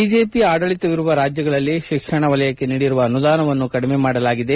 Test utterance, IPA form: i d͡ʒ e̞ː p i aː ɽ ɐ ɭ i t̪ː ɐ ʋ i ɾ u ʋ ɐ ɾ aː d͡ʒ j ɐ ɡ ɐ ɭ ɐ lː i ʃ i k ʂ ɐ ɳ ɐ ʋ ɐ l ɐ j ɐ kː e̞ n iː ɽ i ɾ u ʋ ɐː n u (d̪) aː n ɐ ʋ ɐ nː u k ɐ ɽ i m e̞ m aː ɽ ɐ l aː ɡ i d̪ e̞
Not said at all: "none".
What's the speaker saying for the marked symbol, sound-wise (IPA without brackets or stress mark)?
d̪